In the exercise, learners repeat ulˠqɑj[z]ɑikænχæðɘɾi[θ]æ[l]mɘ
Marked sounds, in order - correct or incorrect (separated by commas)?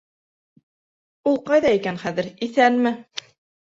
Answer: incorrect, correct, correct